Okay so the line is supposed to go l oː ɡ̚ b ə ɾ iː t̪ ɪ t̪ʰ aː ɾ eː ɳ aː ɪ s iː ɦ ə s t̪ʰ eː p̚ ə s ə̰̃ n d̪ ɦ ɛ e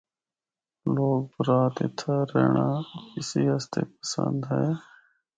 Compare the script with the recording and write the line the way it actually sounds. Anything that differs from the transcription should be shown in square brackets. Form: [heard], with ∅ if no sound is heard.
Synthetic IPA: l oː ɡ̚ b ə ɾ [aː] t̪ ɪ t̪ʰ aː ɾ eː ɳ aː ɪ s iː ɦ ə s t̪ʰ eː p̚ ə s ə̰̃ n d̪ ɦ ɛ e